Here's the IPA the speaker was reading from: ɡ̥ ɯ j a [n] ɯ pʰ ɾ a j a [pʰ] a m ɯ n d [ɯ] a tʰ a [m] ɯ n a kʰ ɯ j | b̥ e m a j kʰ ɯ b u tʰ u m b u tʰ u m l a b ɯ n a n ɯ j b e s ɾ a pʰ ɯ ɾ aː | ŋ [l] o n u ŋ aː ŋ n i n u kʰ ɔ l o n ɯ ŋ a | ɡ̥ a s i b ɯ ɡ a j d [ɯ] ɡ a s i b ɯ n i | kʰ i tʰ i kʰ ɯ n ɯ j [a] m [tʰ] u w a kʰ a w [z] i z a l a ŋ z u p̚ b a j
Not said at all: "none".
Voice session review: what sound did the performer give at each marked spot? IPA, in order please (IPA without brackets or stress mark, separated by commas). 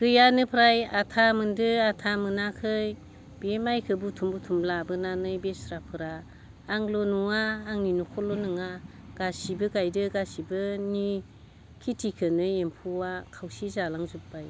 n, tʰ, ɯ, m, l, ɯ, e, pʰ, s